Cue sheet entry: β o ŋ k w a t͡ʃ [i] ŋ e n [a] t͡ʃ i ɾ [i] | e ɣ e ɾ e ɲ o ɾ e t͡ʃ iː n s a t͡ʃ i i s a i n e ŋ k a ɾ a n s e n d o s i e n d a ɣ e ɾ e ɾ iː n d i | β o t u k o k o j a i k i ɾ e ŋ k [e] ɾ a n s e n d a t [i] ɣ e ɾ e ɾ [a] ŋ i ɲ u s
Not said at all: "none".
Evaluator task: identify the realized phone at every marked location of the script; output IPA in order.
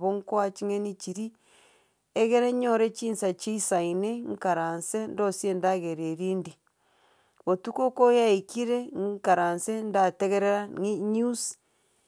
i, i, i, a, e, a

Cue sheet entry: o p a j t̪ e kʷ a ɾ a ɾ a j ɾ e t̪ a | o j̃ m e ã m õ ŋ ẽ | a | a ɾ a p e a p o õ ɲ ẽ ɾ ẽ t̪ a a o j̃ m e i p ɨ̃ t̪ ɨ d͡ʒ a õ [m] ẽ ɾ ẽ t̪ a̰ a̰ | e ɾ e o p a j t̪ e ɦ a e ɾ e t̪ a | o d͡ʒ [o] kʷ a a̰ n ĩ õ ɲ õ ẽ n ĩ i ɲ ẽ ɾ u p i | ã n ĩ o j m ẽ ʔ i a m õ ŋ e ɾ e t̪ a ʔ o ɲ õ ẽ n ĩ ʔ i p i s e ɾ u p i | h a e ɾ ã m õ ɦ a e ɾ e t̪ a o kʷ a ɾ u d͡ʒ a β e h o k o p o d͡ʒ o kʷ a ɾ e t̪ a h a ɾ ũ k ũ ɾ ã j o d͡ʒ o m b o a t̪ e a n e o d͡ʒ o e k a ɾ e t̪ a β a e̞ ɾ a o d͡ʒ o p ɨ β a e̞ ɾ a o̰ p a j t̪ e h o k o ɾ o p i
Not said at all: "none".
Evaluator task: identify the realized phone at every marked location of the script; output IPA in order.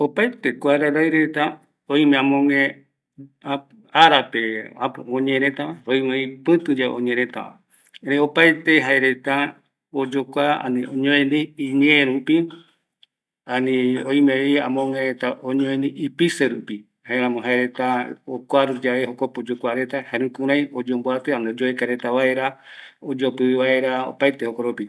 ɲ, o

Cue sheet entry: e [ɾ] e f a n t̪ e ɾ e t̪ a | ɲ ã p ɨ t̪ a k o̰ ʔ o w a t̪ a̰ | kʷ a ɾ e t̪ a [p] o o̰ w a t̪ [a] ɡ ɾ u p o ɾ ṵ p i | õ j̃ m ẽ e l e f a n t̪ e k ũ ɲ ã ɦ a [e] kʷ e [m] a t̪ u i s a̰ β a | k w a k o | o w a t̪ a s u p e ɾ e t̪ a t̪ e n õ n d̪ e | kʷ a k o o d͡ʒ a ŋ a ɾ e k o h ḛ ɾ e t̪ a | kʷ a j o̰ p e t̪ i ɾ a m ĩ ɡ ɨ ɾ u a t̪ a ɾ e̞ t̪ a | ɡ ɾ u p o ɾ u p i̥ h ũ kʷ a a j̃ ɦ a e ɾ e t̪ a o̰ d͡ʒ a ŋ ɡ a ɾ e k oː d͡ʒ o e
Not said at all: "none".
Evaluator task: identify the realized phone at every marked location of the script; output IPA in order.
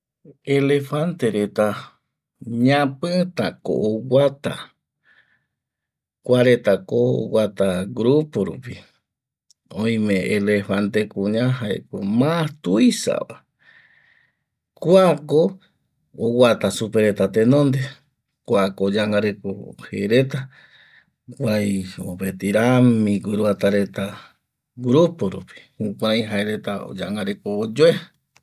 l, k, a, e, m

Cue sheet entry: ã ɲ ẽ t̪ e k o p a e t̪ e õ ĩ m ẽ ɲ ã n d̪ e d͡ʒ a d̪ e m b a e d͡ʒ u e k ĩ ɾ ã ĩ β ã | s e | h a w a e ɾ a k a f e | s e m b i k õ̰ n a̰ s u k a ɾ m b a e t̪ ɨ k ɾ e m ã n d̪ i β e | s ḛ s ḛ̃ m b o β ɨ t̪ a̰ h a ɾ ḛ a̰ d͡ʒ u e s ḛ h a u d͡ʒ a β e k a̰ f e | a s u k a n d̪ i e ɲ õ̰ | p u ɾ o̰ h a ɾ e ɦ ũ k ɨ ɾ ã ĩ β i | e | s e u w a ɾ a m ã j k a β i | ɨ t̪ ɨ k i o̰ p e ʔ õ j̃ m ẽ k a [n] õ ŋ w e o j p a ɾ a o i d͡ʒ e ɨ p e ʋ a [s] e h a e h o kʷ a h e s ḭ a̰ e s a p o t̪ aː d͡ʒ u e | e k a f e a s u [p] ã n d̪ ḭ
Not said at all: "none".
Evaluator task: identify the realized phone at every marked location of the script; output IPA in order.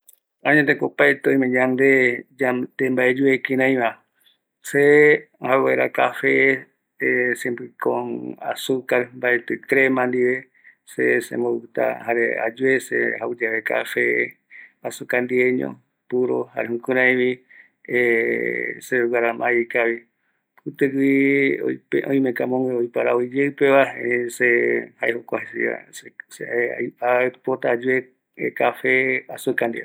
m, s, k

